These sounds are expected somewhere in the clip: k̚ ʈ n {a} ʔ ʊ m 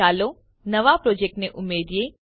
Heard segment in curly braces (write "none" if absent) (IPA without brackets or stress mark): e